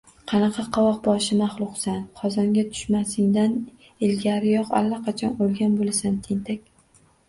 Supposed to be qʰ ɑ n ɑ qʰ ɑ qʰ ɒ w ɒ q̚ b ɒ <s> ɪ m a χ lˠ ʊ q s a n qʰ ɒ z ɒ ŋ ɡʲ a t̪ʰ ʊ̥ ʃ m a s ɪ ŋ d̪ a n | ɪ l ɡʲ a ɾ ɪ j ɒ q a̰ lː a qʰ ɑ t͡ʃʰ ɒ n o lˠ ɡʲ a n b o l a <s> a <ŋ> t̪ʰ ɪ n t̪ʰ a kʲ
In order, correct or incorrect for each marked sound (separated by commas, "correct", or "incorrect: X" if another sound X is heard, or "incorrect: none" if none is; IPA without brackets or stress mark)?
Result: incorrect: ʃ, correct, incorrect: n